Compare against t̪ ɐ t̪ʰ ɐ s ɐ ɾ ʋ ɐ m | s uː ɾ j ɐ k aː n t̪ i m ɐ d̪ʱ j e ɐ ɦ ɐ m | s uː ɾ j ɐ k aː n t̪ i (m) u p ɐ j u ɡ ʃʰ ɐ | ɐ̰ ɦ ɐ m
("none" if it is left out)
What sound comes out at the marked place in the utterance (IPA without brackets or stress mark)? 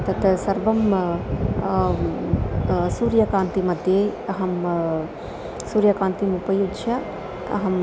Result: m